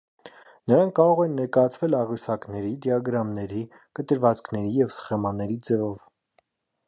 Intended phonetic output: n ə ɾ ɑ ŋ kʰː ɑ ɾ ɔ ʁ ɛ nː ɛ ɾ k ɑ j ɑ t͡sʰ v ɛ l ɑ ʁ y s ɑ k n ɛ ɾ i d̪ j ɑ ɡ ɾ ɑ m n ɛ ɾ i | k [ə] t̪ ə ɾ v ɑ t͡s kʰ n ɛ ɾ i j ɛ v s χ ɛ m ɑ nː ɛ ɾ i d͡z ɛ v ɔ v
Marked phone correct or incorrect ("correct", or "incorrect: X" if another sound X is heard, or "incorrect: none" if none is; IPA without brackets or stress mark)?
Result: correct